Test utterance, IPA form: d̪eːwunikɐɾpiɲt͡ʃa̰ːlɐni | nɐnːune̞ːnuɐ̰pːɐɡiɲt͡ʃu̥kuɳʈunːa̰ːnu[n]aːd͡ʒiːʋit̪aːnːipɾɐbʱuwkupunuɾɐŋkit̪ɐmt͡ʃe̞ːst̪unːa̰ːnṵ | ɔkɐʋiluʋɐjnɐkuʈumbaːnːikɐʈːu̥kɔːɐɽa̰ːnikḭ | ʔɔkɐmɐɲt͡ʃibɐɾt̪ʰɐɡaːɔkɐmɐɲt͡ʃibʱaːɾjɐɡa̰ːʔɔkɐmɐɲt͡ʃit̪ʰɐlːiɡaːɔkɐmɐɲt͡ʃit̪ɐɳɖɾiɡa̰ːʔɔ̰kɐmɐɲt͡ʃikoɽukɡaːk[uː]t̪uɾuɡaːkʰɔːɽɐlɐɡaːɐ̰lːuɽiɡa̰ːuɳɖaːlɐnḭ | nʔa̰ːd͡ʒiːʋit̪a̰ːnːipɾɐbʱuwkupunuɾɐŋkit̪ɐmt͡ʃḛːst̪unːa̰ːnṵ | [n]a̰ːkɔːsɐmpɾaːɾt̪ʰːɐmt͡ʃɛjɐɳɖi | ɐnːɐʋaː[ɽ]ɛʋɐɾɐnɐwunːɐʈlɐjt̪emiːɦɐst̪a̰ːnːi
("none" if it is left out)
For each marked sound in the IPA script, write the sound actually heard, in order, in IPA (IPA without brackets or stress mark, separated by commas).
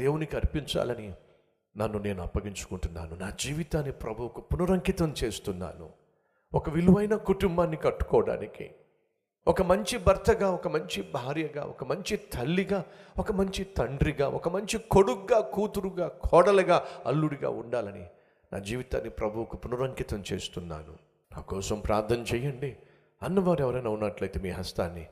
n, uː, n, ɾ